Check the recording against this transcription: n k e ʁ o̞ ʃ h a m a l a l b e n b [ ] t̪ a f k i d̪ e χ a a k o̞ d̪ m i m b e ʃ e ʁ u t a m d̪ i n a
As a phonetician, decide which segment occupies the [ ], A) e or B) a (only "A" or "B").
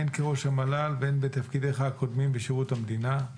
A